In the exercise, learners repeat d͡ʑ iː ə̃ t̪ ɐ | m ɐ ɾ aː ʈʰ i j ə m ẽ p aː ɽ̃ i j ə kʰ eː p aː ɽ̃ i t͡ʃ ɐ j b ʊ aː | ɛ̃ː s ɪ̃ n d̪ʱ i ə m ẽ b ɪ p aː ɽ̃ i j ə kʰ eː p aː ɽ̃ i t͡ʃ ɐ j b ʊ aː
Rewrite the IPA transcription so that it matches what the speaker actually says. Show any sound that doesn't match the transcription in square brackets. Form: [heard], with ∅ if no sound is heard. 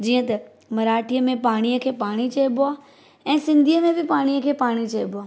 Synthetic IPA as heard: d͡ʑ iː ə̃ t̪ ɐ | m ɐ ɾ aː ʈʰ i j ə m ẽ p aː ɽ̃ i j ə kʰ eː p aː ɽ̃ i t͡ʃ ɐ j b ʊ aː | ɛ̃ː s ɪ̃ n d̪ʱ i ə m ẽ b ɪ p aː ɽ̃ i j ə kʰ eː p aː ɽ̃ i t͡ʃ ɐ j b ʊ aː